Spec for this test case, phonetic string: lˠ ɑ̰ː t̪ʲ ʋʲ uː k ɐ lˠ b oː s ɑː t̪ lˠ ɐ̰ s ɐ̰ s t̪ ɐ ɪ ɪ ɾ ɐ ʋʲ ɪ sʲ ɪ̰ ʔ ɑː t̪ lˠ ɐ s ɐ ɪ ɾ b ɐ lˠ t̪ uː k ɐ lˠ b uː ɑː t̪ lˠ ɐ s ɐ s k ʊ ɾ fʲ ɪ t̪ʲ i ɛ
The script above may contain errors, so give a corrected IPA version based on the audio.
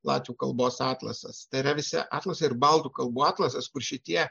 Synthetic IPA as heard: lˠ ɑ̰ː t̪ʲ ʋʲ uː k ɐ lˠ b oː s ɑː t̪ lˠ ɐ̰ s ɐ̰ s t̪ ɐ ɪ ɪ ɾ ɐ ʋʲ ɪ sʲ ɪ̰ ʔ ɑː t̪ lˠ ɐ s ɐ ɪ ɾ b ɐ lˠ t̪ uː k ɐ lˠ b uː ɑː t̪ lˠ ɐ s ɐ s k ʊ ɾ ʃʲ ɪ t̪ʲ i ɛ